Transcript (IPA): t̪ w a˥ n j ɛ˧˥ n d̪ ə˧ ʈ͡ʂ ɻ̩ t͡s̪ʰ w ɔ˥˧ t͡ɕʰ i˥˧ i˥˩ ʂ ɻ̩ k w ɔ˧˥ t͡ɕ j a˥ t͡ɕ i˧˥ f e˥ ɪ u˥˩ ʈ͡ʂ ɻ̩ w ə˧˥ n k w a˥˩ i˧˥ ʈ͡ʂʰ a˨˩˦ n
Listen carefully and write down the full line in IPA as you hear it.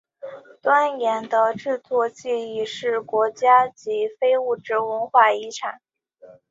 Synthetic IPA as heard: t̪ w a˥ n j ɛ˧˥ n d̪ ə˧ ʈ͡ʂ ɻ̩ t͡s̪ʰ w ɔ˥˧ t͡ɕ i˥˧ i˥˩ ʂ ɻ̩ k w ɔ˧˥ t͡ɕ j a˥ t͡ɕ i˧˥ f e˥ ɪ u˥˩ ʈ͡ʂ ɻ̩ w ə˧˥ n x w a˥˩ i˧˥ ʈ͡ʂʰ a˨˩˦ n